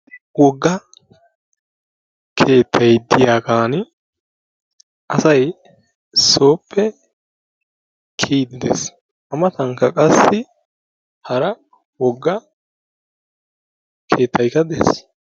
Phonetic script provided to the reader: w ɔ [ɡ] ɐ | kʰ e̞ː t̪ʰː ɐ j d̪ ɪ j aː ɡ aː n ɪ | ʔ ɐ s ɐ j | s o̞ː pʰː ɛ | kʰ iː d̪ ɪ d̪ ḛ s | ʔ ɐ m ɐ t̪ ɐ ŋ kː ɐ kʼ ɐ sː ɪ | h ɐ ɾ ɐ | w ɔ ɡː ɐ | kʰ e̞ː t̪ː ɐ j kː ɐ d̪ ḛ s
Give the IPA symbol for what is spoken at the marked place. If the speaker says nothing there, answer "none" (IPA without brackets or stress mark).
ɡː